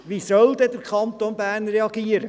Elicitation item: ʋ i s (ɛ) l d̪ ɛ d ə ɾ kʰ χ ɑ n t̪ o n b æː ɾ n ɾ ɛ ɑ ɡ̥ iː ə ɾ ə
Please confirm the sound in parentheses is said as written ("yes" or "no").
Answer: no